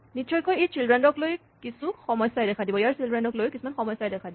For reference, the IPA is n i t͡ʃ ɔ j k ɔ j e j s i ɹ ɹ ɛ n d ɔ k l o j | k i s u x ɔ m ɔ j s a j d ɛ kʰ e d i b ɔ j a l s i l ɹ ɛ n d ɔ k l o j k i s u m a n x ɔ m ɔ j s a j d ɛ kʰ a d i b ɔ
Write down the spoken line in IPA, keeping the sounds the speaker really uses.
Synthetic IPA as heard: n i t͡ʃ ɔ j k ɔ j e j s i l ɹ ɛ n d ɔ k l o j | k i s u x ɔ m ɔ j s a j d ɛ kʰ a d i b ɔ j a ɹ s i l ɹ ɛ n d ɔ k l o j k i s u m a n x ɔ m ɔ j s a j d ɛ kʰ a d i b ɔ